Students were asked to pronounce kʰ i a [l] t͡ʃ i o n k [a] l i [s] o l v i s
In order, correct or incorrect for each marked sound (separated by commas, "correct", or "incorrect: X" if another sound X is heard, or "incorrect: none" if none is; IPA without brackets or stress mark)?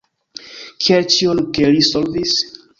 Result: correct, incorrect: e, correct